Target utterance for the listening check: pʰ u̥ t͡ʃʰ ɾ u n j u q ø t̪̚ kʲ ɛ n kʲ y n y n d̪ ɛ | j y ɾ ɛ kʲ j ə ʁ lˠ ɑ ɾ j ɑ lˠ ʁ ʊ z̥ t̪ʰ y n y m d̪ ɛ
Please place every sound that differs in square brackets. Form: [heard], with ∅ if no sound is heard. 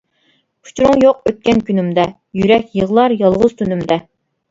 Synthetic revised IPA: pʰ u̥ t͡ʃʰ ɾ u [ŋ] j [o] q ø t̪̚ kʲ ɛ n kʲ y n y [m] d̪ ɛ | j y ɾ ɛ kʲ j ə ʁ lˠ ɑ ɾ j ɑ lˠ ʁ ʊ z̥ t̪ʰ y n y m d̪ ɛ